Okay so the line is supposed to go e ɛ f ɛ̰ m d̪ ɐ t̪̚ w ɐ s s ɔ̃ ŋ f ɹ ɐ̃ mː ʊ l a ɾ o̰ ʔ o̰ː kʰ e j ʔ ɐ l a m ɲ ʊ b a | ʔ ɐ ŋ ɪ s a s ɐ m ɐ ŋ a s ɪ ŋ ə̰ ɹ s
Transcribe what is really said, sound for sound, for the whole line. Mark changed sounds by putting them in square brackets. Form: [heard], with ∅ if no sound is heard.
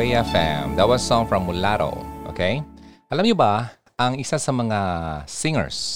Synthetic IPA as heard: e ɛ f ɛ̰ m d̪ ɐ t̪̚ w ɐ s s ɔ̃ ŋ f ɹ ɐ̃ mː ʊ l a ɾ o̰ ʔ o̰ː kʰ e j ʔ ɐ l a m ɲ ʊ b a | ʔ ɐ ŋ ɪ s a s ɐ m ɐ ŋ a s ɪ ŋ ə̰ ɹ s